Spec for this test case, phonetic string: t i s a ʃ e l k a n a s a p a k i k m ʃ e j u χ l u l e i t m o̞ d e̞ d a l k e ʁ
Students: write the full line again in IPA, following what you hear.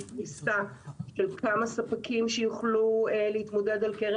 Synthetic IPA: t i s a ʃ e l k a m a s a p a k i m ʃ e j u χ l u l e i t m o̞ d e̞ d a l k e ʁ